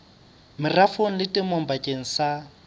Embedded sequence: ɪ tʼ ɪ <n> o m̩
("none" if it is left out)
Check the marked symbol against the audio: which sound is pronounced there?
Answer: m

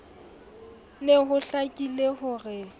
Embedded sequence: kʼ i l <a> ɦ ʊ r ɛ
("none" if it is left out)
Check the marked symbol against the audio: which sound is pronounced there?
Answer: e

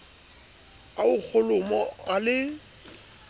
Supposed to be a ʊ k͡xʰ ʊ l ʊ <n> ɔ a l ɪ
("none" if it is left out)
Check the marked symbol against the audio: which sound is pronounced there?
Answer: m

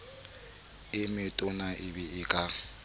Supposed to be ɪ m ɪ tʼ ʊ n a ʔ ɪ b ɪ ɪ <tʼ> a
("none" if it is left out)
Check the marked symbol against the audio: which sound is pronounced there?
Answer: kʼ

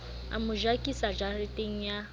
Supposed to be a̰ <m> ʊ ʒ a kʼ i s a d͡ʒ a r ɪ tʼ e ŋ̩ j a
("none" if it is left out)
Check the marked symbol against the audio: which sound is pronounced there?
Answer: m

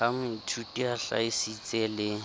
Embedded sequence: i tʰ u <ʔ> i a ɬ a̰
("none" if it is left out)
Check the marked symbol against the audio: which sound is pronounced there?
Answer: t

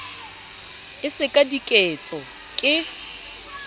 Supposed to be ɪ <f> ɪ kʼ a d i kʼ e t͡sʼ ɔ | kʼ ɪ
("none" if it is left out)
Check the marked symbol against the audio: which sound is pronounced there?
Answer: s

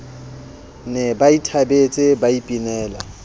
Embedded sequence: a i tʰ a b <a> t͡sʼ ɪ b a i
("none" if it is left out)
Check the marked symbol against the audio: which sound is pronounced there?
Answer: e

